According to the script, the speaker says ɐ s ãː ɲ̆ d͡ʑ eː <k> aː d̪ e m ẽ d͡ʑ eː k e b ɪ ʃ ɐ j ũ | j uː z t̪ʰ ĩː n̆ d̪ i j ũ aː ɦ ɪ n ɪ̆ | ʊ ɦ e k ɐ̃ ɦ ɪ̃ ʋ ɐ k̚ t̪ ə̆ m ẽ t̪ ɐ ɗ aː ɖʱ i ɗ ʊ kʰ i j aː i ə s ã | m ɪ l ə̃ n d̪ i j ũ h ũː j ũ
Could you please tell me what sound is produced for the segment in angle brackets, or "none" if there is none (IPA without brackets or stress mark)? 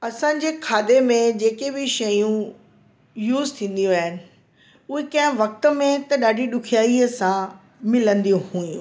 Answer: kʰ